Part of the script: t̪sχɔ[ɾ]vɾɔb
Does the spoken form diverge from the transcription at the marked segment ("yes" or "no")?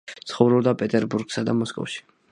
yes